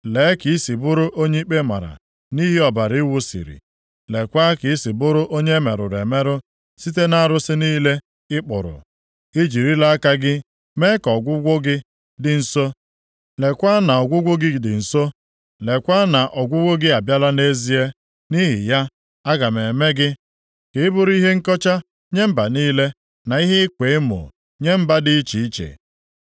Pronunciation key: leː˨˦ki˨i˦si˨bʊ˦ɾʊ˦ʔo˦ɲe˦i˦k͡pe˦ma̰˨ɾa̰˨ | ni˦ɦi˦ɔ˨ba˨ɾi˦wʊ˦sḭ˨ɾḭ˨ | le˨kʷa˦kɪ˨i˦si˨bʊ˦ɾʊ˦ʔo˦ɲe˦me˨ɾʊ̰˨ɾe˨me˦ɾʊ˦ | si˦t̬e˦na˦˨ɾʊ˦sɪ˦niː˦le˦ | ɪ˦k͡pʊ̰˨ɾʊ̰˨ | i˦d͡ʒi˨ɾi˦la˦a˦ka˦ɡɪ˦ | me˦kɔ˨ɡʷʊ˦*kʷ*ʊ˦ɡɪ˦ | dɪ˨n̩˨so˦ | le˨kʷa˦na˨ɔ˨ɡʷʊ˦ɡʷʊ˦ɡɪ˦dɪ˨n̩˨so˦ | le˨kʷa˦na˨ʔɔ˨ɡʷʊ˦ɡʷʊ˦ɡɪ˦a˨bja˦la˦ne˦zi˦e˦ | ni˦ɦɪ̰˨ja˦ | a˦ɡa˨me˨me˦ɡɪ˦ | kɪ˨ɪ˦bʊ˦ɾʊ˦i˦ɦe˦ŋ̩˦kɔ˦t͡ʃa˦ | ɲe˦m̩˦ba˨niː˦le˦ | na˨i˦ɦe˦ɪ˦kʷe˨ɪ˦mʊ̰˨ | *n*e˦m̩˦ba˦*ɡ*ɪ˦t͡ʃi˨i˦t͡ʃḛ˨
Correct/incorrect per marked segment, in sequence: incorrect: ɡʷ, incorrect: ɲ, incorrect: d

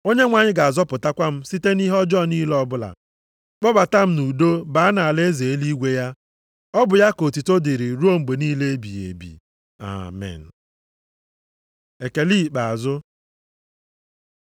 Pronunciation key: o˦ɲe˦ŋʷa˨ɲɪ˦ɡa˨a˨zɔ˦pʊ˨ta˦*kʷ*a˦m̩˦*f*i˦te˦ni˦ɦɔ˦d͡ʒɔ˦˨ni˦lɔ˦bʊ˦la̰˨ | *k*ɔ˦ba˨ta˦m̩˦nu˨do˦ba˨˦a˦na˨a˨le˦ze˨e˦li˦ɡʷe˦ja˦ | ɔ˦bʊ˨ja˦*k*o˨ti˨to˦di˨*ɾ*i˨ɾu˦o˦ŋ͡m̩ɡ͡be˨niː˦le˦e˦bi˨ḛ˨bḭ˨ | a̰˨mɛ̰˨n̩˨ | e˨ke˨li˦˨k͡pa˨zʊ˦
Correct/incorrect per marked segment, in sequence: correct, incorrect: s, incorrect: k͡p, correct, correct

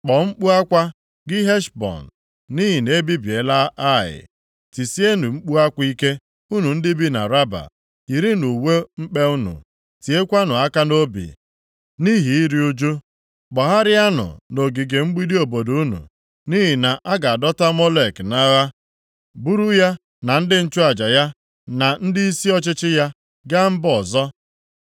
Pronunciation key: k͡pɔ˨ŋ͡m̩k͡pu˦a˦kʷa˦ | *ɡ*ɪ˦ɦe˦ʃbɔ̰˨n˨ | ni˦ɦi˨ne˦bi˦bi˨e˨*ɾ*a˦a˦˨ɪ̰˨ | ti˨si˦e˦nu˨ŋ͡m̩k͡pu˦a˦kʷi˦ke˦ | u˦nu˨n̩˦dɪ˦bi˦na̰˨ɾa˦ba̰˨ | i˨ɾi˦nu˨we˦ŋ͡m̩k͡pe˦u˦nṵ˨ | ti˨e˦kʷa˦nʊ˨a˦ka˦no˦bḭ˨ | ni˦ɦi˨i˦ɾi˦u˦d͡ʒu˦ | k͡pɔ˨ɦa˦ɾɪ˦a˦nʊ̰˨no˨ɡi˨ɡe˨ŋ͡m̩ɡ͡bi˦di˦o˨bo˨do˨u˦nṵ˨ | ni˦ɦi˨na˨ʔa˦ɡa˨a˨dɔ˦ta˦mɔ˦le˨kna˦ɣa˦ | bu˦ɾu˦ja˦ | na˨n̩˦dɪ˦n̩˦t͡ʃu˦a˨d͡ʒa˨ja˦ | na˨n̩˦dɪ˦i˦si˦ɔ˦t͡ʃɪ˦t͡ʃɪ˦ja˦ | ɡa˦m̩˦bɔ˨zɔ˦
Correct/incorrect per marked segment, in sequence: correct, incorrect: l

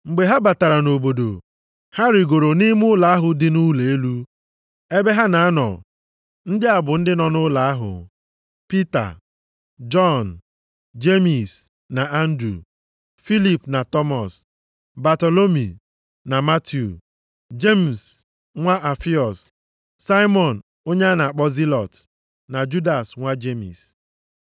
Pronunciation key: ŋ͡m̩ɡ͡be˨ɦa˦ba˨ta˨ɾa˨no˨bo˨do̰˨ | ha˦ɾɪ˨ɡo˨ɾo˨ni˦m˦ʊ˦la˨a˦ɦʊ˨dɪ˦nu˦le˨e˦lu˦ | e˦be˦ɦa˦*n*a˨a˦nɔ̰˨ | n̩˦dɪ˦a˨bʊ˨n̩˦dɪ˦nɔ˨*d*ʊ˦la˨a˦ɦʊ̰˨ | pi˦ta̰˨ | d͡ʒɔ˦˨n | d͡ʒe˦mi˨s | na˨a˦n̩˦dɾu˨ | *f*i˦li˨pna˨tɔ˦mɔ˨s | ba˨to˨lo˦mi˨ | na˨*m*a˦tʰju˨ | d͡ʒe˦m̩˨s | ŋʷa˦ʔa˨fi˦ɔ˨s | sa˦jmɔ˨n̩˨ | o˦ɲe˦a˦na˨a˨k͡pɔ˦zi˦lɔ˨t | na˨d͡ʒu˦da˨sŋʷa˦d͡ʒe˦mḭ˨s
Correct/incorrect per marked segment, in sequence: correct, incorrect: n, correct, correct

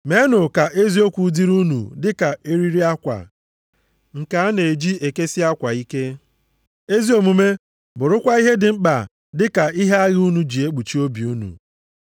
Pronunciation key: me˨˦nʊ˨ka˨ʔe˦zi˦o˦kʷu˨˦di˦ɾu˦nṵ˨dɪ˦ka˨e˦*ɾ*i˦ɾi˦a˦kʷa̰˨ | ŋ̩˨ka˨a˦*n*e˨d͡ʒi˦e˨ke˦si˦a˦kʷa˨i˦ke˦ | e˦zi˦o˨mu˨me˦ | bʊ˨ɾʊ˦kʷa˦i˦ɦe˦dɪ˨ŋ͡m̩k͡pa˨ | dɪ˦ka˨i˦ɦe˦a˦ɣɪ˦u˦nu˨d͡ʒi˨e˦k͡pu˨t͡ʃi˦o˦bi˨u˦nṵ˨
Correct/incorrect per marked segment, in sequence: correct, correct

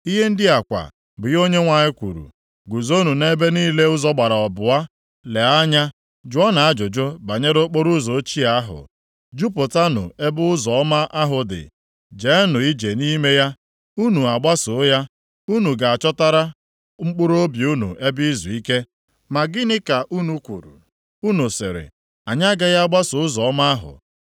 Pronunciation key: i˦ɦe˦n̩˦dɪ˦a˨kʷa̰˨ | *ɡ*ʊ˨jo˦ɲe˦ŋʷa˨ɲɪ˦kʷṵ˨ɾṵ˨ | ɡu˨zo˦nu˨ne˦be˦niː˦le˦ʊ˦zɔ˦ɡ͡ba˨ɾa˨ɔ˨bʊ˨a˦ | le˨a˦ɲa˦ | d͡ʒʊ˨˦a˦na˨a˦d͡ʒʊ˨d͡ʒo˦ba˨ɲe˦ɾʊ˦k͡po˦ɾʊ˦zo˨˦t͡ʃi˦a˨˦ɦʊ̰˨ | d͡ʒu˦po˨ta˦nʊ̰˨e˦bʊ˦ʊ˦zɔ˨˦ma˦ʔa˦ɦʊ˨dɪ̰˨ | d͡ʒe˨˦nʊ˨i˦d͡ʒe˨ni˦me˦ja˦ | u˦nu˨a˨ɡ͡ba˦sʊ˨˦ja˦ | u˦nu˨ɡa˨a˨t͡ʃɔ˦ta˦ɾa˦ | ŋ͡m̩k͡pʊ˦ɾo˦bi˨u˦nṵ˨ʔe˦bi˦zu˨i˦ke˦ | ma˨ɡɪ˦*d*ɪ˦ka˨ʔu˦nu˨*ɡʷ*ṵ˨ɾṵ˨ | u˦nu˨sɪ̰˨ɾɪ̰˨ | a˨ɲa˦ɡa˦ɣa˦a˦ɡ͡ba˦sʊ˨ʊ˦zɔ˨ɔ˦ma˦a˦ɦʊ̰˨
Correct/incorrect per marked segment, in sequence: incorrect: b, incorrect: n, incorrect: kʷ

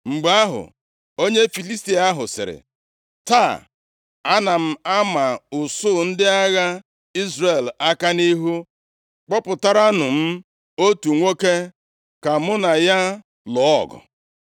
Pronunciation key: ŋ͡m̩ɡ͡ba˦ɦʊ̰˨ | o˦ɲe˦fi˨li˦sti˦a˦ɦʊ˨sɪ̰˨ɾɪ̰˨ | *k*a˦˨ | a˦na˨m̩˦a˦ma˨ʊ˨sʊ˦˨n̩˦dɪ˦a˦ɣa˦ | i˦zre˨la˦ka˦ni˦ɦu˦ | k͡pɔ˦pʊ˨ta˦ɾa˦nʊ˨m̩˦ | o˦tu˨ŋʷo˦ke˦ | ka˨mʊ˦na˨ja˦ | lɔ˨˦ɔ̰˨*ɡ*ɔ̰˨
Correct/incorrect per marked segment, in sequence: incorrect: t, correct

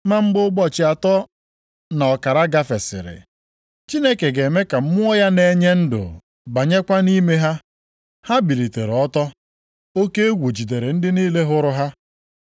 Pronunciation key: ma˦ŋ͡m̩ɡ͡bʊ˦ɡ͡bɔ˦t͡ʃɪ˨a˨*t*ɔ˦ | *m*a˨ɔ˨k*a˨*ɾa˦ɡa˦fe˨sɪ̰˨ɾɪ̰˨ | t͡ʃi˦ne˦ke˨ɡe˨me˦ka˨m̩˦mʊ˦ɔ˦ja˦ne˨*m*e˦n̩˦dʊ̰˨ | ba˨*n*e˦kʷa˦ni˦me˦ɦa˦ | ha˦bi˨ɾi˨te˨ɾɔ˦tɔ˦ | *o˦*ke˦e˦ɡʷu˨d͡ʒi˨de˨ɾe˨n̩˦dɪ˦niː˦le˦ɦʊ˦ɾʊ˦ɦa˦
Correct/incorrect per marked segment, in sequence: correct, incorrect: n, correct, incorrect: ɲ, incorrect: ɲ, correct

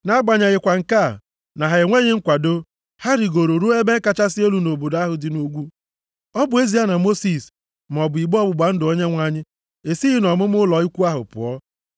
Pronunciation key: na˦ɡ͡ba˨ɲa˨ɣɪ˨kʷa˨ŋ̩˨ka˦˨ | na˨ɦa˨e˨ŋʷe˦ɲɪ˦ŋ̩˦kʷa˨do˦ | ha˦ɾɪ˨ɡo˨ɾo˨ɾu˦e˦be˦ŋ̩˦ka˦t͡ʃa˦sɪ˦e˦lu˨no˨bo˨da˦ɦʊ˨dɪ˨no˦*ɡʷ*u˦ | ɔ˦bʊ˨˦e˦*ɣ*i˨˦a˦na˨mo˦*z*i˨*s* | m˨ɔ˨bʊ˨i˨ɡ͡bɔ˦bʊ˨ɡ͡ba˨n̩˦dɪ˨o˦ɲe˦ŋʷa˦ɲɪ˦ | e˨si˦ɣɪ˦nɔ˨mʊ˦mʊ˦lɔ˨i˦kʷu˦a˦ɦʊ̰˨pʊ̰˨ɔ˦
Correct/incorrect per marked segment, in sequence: correct, incorrect: z, incorrect: s, correct

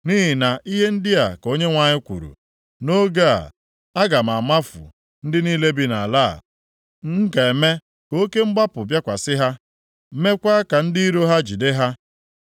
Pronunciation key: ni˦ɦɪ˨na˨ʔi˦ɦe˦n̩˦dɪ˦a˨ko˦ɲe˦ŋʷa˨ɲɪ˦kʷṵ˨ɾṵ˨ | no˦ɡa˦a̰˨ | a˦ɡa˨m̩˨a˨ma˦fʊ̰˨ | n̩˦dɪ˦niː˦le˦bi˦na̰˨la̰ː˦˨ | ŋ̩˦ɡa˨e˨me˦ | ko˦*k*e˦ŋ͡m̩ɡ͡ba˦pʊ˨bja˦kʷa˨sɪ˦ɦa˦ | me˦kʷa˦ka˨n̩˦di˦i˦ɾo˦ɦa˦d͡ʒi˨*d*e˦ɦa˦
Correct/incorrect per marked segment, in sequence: correct, correct

